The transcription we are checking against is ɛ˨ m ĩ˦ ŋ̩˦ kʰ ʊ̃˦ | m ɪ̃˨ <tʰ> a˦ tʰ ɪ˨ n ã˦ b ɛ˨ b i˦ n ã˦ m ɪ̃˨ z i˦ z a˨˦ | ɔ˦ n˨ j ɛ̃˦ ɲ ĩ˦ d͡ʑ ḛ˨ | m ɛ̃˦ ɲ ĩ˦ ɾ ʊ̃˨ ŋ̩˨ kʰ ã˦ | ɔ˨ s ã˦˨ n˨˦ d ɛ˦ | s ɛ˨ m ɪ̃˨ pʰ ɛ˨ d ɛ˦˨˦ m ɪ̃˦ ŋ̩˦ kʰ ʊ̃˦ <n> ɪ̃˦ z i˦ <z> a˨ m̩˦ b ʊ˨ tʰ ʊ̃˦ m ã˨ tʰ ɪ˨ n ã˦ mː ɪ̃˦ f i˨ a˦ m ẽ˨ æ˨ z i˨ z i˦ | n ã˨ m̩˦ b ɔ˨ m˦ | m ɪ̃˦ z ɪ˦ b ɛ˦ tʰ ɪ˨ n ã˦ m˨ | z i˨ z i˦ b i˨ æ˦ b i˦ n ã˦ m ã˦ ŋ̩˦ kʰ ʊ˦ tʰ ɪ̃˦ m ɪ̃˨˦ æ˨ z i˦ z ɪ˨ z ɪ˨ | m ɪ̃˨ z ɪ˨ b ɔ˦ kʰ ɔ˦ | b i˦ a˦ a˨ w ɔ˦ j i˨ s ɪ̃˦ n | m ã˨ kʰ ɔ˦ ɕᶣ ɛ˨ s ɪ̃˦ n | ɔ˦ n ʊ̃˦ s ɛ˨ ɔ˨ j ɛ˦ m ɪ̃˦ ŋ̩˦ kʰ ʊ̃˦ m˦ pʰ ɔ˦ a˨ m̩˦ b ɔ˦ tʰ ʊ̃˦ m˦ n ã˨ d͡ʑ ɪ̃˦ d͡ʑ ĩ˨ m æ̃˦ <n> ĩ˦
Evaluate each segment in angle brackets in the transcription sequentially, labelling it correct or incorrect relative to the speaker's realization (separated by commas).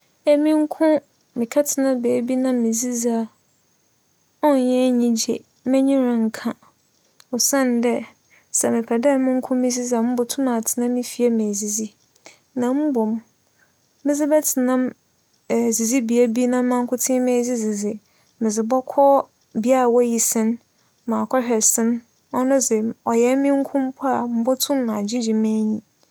incorrect, incorrect, correct, incorrect